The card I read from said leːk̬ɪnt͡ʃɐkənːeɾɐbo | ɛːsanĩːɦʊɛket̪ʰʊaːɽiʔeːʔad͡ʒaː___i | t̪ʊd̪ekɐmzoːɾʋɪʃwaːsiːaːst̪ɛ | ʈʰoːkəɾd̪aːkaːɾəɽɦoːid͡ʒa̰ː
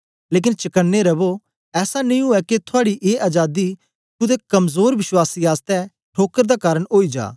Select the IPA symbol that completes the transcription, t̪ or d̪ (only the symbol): d̪